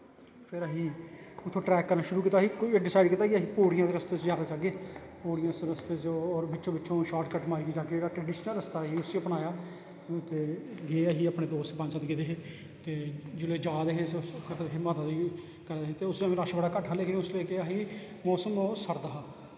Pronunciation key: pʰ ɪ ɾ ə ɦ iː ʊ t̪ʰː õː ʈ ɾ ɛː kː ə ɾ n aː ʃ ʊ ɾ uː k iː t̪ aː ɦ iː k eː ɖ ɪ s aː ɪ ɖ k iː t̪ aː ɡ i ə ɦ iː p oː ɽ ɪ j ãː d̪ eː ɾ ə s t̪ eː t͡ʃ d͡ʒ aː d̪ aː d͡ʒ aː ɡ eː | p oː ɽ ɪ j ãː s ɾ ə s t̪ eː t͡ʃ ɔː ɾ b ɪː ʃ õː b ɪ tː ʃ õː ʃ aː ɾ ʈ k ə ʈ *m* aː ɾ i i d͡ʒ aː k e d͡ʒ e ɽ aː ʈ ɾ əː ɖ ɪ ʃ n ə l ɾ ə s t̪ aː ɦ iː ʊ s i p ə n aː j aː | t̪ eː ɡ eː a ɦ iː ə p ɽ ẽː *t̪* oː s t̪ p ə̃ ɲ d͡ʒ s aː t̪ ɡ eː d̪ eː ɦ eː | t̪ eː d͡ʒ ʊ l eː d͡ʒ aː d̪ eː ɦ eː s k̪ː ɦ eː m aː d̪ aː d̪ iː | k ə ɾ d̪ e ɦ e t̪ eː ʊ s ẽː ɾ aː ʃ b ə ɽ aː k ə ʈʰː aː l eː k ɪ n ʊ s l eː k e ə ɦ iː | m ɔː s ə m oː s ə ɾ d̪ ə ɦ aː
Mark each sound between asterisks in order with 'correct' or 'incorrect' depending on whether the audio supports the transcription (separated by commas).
correct, incorrect